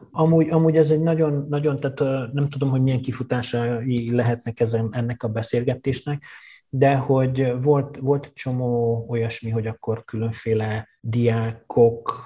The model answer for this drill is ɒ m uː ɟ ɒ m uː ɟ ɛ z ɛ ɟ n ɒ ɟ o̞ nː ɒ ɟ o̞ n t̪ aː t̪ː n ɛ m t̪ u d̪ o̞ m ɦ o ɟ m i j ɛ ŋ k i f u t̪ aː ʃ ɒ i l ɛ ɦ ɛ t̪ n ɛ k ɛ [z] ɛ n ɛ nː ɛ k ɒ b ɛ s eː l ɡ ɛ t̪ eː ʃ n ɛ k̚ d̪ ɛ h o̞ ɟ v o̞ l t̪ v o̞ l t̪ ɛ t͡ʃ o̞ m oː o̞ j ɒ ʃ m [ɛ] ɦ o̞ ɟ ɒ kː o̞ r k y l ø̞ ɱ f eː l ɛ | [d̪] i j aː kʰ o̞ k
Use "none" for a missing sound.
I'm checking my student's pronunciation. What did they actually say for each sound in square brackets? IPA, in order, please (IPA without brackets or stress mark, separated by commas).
z, i, d̪